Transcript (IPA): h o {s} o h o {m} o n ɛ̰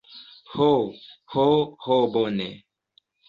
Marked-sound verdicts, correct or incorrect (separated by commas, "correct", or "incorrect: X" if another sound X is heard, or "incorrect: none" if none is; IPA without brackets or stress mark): incorrect: h, incorrect: b